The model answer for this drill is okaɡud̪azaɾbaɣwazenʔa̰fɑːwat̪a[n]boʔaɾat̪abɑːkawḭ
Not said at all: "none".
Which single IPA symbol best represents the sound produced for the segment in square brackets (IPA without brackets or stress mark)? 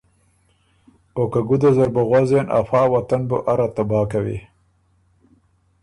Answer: n